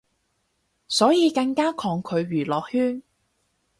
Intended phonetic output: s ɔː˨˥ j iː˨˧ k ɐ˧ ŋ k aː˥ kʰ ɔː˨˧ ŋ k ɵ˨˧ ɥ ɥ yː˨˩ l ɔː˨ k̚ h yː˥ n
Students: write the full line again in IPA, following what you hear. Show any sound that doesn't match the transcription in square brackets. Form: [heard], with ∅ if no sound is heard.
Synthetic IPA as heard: s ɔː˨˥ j iː˨˧ k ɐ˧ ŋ k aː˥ kʰ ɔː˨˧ ŋ [kʰ] ɵ˨˧ ɥ ɥ yː˨˩ l ɔː˨ k̚ h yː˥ n